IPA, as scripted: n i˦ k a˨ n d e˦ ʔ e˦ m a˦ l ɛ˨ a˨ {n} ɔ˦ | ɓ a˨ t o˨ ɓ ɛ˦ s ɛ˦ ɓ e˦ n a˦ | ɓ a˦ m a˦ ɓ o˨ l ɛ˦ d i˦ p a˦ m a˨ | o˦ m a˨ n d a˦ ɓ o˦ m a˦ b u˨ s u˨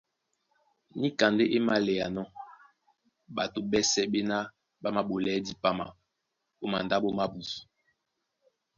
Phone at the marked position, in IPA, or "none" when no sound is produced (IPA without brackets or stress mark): n